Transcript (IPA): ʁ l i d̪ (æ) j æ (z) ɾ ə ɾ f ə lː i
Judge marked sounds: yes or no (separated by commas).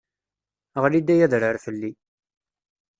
yes, no